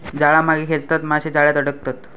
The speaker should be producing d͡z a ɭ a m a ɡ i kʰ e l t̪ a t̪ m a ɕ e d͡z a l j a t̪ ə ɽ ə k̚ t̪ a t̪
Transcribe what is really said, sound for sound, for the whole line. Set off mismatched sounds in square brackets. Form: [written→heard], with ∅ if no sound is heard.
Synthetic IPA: d͡z a ɭ a m a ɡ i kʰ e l t̪ a t̪ m a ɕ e d͡z a [l→ɭ] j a t̪ ə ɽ ə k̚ t̪ a t̪